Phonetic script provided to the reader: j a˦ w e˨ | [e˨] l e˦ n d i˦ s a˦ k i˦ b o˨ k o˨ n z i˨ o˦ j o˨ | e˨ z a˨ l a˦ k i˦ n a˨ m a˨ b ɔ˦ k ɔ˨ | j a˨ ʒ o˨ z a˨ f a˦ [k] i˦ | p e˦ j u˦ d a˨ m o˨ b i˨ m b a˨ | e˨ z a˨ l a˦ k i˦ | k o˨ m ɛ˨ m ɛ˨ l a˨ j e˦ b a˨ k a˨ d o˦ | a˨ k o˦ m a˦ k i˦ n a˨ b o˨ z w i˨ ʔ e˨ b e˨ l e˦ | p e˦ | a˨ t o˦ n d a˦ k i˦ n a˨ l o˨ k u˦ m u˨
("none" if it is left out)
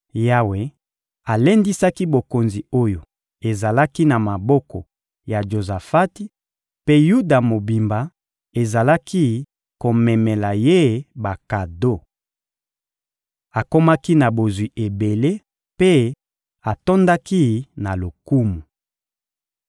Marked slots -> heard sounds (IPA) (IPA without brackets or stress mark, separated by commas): a˨, t